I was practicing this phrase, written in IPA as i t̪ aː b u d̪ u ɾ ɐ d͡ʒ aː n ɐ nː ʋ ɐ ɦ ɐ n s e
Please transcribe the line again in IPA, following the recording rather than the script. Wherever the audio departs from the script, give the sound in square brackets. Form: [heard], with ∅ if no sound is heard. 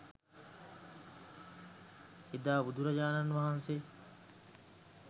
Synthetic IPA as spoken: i [d̪] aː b u d̪ u ɾ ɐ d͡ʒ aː n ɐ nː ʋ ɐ ɦ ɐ n s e